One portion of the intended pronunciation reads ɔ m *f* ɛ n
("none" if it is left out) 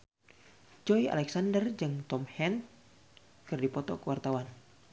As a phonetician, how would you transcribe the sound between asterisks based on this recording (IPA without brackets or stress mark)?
h